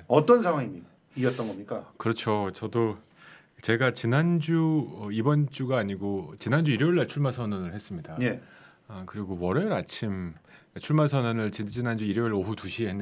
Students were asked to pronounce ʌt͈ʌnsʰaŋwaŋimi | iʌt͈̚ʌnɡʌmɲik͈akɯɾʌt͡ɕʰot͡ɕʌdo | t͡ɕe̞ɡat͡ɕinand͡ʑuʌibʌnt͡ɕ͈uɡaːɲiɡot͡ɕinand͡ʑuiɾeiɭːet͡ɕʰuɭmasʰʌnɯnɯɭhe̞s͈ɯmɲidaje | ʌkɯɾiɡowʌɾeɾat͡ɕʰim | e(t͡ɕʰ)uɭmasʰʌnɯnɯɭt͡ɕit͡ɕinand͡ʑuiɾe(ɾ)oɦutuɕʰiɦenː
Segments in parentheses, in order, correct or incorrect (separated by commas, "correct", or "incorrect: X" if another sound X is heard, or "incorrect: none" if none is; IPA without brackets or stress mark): correct, incorrect: ɭ